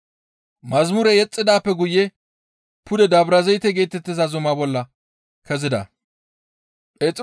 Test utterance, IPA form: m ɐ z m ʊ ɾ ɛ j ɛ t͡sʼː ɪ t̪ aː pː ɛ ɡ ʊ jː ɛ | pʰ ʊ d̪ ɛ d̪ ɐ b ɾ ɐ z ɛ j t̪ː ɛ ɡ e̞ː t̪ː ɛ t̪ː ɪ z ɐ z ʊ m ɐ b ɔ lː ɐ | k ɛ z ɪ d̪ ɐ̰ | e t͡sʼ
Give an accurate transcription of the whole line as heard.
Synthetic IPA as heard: m ɐ z m ʊ ɾ ɛ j ɛ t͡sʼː ɪ d̪ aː pː ɛ ɡ ʊ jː ɛ | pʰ ʊ d̪ ɛ d̪ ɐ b ɾ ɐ z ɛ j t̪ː ɛ ɡ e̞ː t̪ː ɛ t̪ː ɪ z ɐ z ʊ m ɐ b ɔ lː ɐ | k ɛ z ɪ d̪ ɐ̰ | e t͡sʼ